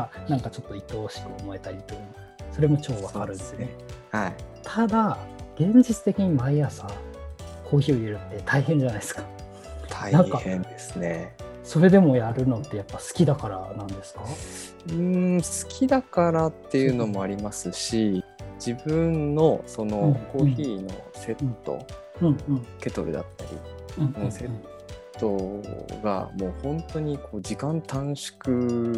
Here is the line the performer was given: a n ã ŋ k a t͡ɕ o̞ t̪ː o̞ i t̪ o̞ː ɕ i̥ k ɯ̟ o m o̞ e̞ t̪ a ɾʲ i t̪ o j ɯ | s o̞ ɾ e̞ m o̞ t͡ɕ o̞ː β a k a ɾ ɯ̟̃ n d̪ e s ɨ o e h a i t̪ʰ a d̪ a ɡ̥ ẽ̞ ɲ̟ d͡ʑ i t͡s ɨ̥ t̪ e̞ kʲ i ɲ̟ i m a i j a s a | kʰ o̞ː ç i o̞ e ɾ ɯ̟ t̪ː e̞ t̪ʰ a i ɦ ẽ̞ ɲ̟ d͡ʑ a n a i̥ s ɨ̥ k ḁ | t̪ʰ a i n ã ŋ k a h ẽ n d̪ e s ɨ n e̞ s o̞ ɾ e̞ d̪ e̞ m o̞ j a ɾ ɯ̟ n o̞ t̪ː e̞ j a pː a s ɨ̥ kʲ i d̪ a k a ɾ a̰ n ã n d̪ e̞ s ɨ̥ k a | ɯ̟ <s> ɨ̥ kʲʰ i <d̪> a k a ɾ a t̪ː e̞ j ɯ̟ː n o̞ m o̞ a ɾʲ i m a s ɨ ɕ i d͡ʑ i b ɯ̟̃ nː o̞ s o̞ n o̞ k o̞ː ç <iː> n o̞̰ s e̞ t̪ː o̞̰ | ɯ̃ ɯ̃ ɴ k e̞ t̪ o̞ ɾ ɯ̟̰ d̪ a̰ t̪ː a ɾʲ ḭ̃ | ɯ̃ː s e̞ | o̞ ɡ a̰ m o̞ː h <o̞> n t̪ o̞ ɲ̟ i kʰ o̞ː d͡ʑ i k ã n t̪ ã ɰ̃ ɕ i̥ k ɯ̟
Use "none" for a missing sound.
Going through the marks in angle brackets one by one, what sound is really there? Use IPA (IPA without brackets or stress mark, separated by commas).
s, d̪, iː, õ̞